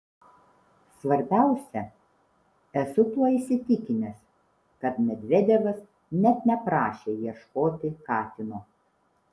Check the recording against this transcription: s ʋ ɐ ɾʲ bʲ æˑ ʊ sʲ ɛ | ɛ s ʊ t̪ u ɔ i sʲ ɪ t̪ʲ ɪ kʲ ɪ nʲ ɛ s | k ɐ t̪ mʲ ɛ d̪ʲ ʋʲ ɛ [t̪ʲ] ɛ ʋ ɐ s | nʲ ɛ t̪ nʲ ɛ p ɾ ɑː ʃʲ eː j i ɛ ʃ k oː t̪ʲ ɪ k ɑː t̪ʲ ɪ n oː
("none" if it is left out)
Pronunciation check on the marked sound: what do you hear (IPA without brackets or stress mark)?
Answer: d̪ʲ